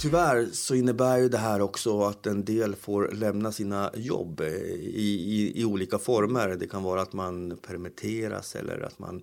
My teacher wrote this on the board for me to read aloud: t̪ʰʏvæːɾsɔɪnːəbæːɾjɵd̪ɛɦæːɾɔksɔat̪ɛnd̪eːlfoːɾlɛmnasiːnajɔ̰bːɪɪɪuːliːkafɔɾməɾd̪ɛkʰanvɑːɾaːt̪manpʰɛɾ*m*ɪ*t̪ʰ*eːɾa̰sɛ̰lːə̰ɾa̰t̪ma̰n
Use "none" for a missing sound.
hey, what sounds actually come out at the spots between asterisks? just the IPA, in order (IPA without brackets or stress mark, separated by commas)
m, t̪ʰ